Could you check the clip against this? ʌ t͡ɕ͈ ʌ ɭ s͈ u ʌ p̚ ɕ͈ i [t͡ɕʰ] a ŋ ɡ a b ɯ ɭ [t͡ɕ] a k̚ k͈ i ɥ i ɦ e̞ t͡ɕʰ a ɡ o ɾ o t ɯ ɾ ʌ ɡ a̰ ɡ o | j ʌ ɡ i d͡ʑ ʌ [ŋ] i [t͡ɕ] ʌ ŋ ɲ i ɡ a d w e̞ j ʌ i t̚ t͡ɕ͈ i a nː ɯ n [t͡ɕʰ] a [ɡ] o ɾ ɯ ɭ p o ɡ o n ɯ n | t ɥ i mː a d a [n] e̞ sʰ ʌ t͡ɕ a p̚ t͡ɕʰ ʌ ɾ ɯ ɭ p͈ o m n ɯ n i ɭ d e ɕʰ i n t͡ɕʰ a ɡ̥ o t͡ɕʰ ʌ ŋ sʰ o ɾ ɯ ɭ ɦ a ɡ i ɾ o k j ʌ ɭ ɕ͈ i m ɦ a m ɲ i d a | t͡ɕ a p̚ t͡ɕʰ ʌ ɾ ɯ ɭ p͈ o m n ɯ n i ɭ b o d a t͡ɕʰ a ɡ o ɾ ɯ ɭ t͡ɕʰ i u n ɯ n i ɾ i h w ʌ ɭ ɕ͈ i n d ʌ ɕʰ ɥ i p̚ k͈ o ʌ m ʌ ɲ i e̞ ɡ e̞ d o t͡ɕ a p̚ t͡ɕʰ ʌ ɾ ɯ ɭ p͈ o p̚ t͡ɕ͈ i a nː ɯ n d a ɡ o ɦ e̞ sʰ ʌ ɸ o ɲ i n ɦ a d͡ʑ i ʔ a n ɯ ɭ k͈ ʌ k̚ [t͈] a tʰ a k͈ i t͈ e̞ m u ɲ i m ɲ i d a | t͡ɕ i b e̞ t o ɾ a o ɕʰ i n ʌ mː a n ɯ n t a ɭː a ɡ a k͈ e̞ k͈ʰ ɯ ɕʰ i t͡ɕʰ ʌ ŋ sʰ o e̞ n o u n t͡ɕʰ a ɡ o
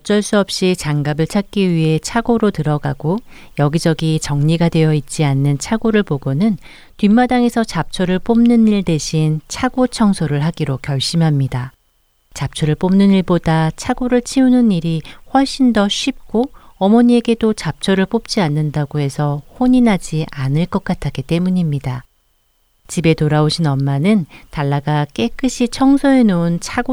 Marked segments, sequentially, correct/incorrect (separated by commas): incorrect, incorrect, incorrect, correct, correct, correct, incorrect, incorrect